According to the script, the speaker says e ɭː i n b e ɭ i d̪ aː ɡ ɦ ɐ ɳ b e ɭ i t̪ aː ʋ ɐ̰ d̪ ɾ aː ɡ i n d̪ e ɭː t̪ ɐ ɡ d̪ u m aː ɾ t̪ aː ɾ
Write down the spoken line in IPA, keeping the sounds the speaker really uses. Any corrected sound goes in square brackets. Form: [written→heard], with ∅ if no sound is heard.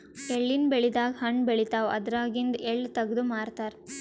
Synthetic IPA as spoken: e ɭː i n b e ɭ i d̪ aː ɡ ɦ ɐ ɳ b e ɭ i t̪ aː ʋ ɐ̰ d̪ ɾ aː ɡ i n d̪ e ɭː t̪ ɐ ɡ d̪ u m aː ɾ t̪ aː ɾ